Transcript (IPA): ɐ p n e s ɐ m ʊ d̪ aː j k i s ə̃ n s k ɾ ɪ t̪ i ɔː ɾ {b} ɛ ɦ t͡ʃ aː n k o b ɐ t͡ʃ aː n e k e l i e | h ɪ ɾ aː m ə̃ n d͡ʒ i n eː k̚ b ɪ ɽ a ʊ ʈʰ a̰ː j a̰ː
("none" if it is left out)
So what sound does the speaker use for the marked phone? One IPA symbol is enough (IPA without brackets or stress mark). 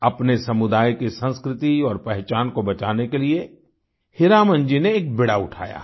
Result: p